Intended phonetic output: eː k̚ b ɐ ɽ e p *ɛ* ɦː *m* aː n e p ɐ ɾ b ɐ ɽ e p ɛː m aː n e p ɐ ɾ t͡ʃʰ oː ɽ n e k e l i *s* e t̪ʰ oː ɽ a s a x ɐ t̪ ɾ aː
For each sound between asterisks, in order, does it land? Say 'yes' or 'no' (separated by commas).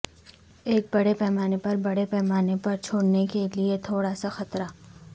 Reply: yes, yes, no